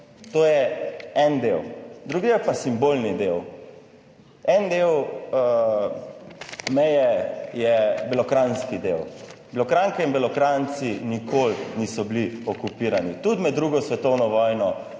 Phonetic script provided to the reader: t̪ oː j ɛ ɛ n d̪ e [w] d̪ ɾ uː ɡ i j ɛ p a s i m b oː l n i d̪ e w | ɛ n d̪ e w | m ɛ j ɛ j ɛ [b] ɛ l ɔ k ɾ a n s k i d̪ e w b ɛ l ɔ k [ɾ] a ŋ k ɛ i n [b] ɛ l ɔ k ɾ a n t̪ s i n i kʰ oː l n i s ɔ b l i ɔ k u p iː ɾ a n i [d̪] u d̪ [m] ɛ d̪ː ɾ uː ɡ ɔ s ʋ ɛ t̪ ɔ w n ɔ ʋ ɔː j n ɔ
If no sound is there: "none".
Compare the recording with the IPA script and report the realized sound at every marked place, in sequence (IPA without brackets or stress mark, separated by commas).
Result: w, b, ɾ, b, t̪, m